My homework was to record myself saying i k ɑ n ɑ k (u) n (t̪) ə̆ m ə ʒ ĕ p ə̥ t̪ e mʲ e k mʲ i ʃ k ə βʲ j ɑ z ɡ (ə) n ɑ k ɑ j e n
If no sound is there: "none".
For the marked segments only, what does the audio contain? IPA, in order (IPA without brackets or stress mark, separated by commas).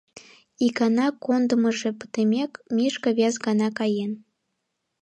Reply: o, d̪, ɑ